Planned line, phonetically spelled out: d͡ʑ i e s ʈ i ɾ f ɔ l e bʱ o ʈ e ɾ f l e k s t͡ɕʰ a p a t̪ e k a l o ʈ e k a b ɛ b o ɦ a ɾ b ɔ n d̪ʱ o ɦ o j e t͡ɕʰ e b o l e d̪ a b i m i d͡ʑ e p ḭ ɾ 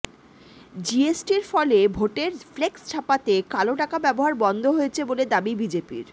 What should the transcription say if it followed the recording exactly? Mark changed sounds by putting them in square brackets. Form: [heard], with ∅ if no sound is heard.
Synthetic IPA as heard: d͡ʑ i e s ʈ i ɾ f ɔ l e bʱ o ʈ e ɾ f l e k s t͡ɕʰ a p a t̪ e k a l o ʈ [a] k a b ɛ b o ɦ a ɾ b ɔ n d̪ʱ o ɦ o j e t͡ɕʰ e b o l e d̪ a b i [b] i d͡ʑ e p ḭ ɾ